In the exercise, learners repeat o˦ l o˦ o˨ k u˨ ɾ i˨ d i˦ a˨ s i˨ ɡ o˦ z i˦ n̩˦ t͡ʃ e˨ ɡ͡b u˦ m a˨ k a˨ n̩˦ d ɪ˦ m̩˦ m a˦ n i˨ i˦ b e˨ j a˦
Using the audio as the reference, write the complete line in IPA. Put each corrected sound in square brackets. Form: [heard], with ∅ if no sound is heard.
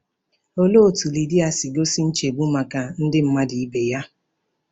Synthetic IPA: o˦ l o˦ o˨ [t] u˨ [l] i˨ d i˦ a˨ s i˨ ɡ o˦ [s] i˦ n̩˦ t͡ʃ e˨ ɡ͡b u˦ m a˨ k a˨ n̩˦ d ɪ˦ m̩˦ m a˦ [d] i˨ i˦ b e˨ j a˦